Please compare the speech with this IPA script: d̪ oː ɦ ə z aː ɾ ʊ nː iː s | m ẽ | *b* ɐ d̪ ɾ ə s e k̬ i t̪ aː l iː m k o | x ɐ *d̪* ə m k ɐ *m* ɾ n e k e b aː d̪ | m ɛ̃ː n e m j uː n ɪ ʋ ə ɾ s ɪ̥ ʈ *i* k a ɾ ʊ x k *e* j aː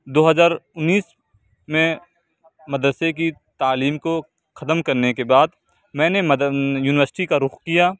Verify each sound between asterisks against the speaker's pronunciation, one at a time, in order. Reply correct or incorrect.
incorrect: m, incorrect: t̪, incorrect: none, correct, incorrect: i

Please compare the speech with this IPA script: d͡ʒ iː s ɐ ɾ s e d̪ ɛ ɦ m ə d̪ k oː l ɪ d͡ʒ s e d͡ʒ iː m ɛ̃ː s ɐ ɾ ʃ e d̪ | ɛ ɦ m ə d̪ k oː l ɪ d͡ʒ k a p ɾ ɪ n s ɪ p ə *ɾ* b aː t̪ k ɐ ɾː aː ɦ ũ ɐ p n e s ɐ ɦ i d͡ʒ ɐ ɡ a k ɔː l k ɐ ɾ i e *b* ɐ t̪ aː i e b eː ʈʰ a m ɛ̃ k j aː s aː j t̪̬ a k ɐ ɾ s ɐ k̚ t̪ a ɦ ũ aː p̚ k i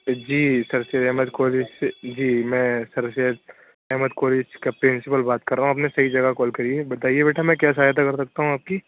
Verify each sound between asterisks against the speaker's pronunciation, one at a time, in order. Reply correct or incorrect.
incorrect: l, correct

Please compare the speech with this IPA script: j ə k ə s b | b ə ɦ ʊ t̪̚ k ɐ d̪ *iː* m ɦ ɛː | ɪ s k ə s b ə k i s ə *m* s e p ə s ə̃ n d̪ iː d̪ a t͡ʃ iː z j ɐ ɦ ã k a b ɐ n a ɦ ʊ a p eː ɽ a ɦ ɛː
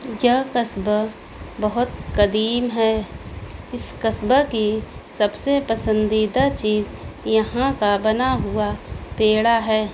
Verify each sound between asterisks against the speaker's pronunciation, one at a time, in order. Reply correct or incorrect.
correct, incorrect: b

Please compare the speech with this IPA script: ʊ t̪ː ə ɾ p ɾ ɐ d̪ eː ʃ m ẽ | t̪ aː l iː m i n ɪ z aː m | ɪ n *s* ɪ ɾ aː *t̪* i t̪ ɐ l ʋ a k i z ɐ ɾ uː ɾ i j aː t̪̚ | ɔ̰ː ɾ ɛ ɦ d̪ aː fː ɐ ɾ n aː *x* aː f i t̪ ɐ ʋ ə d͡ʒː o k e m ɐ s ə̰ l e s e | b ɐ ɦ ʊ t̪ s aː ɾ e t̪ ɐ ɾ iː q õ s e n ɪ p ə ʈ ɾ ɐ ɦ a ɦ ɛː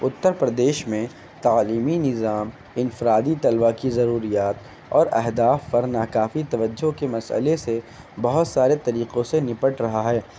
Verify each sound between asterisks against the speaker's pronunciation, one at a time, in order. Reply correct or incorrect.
incorrect: f, incorrect: d̪, incorrect: k

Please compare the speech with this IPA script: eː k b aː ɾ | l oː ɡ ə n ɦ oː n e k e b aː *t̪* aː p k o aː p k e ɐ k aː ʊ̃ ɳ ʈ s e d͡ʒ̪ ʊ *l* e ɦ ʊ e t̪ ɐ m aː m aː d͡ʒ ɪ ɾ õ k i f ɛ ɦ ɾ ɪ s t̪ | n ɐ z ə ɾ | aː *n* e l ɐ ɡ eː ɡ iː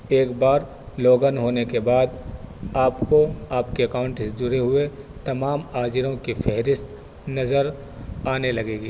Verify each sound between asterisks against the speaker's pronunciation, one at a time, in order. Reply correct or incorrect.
incorrect: d̪, incorrect: ɾ, correct

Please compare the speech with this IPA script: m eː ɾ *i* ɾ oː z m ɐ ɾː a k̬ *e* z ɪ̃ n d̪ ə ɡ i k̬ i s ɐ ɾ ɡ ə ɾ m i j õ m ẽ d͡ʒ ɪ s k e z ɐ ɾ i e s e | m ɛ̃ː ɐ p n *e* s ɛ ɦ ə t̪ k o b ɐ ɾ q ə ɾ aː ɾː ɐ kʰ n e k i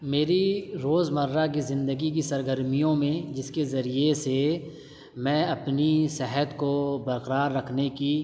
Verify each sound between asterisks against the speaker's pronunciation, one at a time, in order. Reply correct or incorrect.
correct, incorrect: i, incorrect: i

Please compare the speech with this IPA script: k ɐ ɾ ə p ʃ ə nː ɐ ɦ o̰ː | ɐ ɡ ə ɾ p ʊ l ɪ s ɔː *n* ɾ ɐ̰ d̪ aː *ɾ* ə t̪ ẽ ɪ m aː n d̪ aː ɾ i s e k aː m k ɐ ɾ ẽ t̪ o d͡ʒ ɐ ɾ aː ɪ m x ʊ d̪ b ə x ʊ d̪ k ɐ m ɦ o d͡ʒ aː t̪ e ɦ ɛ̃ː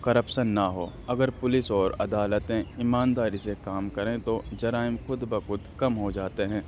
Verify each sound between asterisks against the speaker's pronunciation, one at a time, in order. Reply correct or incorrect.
incorrect: none, incorrect: l

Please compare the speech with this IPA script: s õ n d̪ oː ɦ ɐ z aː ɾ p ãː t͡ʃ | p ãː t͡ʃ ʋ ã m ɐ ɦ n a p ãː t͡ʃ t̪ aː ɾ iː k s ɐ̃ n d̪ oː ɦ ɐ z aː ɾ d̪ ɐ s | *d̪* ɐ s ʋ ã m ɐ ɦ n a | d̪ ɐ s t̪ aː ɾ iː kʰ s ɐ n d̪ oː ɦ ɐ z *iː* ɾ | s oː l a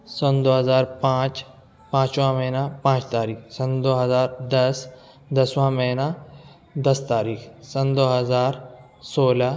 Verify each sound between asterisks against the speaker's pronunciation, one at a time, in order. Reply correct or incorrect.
correct, incorrect: aː

